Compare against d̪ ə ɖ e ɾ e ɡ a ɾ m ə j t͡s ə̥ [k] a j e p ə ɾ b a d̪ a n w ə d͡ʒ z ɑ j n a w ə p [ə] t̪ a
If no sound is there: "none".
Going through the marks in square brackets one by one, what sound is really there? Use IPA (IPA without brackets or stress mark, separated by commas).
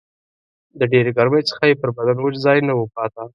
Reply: x, ɑ